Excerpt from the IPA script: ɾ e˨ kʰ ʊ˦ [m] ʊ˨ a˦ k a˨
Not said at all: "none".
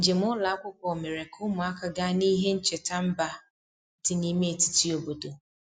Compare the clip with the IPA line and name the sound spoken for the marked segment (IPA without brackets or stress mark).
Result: m